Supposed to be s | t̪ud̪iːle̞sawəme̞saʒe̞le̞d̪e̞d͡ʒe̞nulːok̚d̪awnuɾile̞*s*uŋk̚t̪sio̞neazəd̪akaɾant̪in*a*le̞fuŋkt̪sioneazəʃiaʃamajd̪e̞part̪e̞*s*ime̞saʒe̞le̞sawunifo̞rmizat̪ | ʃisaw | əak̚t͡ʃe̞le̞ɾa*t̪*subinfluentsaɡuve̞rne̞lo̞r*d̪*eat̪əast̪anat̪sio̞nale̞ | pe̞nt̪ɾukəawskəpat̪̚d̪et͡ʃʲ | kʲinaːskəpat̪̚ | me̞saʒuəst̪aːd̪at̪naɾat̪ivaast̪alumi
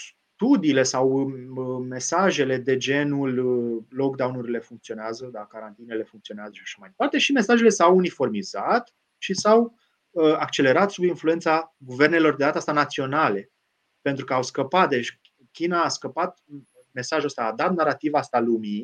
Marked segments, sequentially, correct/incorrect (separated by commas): incorrect, incorrect, incorrect, correct, correct